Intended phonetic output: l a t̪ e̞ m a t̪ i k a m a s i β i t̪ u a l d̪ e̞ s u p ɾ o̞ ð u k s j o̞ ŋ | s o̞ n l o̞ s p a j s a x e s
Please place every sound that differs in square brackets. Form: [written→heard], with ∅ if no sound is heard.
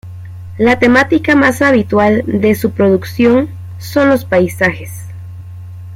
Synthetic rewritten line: l a t̪ e̞ m a t̪ i k a m a s [i→a] β i t̪ [u→w] a l d̪ e̞ s u p ɾ o̞ ð u k s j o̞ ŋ | s o̞ n l o̞ s p a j s a x e s